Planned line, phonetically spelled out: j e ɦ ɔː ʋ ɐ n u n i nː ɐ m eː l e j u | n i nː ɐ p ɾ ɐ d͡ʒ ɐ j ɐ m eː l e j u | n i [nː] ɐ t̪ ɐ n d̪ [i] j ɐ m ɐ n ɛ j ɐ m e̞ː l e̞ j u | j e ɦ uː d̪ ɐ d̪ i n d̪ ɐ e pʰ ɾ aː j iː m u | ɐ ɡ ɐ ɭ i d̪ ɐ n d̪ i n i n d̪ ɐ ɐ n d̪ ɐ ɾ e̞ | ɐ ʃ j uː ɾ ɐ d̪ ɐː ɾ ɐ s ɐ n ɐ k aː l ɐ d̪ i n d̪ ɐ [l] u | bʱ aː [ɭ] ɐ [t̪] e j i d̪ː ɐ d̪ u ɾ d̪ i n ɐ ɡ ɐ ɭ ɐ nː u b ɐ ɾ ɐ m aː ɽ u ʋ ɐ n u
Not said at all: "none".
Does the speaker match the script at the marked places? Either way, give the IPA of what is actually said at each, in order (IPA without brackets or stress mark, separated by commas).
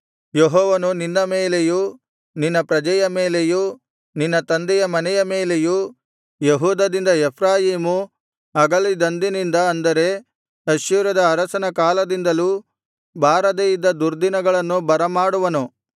nː, ɛ, l, ɾ, d̪